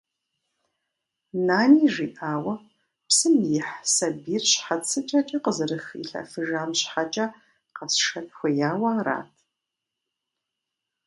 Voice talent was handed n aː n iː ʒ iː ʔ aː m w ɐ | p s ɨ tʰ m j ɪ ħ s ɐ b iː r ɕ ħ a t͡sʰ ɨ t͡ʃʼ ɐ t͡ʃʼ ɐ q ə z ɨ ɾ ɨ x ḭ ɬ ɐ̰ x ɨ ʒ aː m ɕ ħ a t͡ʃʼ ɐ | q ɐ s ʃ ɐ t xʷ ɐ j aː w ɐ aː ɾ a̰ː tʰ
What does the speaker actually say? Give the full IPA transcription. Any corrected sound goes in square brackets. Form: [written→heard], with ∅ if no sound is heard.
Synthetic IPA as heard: n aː n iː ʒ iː ʔ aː [m→∅] w ɐ | p s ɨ [tʰ→∅] m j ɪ ħ s ɐ b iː r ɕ ħ a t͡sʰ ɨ t͡ʃʼ ɐ t͡ʃʼ ɐ q ə z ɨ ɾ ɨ x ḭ ɬ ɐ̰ [x→f] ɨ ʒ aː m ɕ ħ a t͡ʃʼ ɐ | q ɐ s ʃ ɐ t xʷ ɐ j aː w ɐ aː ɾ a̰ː tʰ